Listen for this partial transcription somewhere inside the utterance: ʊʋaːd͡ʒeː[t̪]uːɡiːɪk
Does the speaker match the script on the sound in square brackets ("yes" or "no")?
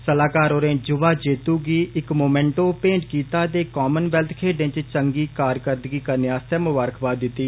yes